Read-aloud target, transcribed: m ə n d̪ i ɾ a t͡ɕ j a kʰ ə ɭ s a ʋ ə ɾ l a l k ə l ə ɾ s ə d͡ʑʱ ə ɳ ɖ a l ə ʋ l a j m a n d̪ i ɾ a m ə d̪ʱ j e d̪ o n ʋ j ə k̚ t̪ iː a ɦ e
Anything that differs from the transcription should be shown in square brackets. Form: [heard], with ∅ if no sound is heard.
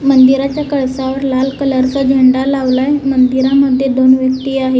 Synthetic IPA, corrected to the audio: m ə n d̪ i ɾ a t͡ɕ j a [k] ə ɭ s a ʋ ə ɾ l a l k ə l ə ɾ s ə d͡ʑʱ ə ɳ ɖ a l [a] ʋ l a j m [ə] n d̪ i ɾ a m ə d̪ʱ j e d̪ o n ʋ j ə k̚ t̪ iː a ɦ e